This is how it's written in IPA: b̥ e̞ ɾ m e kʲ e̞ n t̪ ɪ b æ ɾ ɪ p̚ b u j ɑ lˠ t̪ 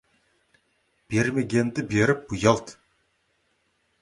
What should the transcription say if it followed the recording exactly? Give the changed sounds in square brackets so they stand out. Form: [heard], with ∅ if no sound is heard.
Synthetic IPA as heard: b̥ e̞ ɾ m e [ɡʲ] e̞ n [d̪] ɪ b [e] ɾ ɪ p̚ b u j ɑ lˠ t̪